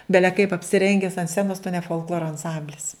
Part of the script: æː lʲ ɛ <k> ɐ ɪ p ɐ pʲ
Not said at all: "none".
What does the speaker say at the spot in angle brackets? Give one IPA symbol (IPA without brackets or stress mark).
k